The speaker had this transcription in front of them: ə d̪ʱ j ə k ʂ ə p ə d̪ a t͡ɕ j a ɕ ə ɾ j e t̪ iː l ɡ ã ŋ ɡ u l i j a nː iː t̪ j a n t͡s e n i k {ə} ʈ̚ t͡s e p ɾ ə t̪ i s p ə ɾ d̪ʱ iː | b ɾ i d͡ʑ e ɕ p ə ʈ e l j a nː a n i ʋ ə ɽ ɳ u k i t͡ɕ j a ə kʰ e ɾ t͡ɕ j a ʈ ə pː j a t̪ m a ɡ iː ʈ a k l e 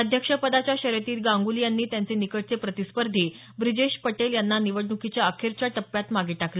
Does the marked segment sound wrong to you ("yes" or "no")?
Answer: no